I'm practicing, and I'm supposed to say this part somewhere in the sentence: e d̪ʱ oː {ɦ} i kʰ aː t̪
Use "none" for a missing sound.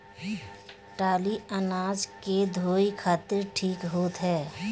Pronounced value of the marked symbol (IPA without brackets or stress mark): none